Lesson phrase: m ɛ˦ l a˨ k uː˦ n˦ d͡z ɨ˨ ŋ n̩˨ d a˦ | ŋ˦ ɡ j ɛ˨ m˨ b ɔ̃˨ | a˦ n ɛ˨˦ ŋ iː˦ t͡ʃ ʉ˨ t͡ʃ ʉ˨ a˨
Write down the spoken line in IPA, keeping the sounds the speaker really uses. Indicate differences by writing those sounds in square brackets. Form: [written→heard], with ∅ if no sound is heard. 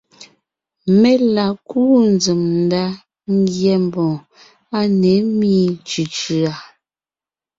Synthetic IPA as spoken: m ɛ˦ l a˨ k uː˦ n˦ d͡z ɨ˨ [ŋ→m] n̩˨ d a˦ | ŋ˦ ɡ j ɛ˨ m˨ b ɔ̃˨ | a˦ n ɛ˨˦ [ŋ→m] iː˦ t͡ʃ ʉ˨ t͡ʃ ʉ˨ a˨

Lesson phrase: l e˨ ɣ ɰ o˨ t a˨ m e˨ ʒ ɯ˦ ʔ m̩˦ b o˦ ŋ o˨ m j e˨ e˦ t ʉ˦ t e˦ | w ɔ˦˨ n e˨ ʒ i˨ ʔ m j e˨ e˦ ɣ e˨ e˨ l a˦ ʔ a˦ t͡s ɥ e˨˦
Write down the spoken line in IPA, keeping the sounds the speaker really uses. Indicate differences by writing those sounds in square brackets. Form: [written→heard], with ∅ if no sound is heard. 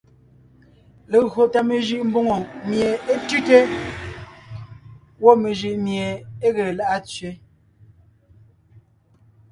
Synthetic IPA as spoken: l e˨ ɣ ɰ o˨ t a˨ m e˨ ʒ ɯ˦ ʔ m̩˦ b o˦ ŋ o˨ m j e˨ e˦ t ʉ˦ t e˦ | w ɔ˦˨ [n→m] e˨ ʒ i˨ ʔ m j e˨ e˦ ɣ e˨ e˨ l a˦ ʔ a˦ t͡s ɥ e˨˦

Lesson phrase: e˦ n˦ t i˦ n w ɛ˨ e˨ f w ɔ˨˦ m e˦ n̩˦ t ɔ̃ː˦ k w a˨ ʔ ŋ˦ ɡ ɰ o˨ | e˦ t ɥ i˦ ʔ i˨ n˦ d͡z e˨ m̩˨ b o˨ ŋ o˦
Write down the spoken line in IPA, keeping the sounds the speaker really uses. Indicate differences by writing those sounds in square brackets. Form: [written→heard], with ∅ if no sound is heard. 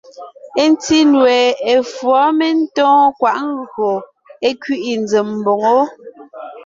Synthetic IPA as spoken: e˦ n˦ t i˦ n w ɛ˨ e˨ f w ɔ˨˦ m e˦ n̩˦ t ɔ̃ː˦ k w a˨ ʔ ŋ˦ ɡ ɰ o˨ | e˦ [t→k] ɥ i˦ ʔ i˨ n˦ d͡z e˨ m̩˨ b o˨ ŋ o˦

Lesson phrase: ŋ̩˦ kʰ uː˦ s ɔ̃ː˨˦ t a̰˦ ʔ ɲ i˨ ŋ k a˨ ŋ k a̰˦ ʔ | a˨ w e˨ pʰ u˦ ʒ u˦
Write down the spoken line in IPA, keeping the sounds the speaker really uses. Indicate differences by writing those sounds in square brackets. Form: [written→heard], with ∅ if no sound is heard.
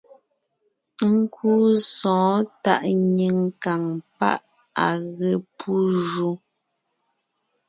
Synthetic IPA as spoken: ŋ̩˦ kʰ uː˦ s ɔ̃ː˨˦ t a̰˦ ʔ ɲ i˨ ŋ k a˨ ŋ [k→p] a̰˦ ʔ | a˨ [w→ɣ] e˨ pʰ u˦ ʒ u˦

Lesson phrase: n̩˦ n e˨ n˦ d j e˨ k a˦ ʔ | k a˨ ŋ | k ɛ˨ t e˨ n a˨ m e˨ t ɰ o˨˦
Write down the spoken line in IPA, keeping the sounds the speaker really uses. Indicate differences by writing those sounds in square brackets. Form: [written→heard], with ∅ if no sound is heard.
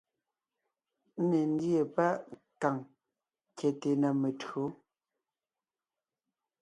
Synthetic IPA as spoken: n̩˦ n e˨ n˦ d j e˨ [k→p] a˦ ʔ | k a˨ ŋ | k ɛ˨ t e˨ n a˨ m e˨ t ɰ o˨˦

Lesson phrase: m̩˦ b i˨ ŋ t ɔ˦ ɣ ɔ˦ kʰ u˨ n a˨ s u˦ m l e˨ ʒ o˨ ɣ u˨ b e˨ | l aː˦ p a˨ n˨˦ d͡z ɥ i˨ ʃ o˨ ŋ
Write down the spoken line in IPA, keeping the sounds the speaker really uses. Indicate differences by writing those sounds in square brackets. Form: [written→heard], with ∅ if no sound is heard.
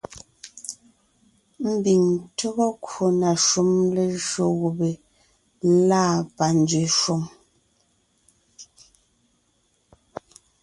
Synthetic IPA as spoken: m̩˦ b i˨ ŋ t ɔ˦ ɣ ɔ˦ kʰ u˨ n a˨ [s→ʃ] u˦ m l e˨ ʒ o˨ ɣ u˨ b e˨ | l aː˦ p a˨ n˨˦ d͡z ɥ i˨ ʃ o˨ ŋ

